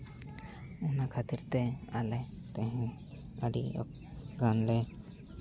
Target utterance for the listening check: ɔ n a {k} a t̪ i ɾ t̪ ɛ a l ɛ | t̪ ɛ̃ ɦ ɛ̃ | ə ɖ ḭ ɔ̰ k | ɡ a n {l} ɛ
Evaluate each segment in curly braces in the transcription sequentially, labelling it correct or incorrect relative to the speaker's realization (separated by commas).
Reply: incorrect, correct